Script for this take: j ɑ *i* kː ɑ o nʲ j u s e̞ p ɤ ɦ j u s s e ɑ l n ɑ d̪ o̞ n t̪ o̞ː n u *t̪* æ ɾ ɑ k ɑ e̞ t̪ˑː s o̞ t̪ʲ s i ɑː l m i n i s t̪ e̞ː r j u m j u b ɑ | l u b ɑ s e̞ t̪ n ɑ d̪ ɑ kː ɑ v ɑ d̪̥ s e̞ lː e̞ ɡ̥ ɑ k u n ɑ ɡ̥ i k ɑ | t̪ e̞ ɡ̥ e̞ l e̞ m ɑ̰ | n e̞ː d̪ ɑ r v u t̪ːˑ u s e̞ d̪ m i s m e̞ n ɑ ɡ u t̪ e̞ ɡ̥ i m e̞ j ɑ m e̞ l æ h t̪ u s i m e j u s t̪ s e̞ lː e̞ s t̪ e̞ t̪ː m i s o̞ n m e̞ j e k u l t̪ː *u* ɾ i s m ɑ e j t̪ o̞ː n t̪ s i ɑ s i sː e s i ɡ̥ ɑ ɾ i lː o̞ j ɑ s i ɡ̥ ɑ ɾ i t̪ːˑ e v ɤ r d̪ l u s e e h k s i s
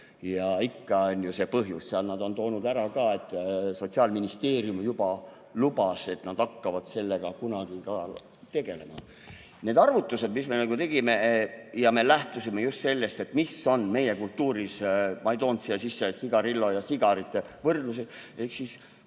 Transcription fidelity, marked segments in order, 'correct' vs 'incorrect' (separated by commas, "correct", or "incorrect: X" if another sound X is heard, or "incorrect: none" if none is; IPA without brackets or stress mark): correct, incorrect: d̪, incorrect: uː